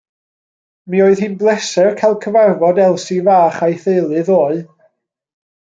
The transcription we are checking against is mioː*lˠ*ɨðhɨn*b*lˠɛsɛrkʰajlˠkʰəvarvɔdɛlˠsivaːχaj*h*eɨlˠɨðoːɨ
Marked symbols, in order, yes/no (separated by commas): no, yes, no